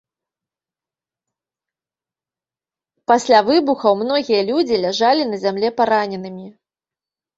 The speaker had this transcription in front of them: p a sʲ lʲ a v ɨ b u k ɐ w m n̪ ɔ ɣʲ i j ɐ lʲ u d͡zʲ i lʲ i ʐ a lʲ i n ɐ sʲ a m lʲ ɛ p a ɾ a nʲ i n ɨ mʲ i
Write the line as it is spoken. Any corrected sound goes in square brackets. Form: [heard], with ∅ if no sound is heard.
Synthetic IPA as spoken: p a sʲ lʲ a v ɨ b u [x] ɐ w m n̪ ɔ ɣʲ i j ɐ lʲ u d͡zʲ i lʲ [a] ʐ a lʲ i n ɐ [zʲ] a m lʲ ɛ p a ɾ a nʲ [ɛ] n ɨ mʲ i